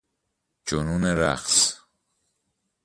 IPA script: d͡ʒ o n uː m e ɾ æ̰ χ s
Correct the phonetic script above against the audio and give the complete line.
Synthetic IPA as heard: d͡ʒ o n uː n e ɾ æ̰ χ s